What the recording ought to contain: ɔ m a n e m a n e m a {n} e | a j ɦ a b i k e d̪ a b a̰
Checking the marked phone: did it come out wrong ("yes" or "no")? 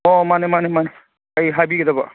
no